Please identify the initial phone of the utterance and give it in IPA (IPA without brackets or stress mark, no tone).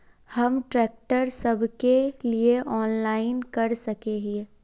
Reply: h